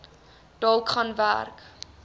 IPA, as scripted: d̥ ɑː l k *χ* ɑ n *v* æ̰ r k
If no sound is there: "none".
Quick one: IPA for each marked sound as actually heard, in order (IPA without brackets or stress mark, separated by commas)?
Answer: χ, v